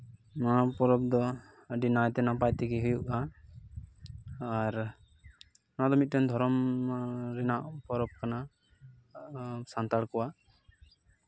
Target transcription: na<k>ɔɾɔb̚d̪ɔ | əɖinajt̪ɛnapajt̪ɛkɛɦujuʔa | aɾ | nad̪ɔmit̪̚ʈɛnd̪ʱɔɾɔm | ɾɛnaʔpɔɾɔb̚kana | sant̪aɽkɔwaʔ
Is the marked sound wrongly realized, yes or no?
yes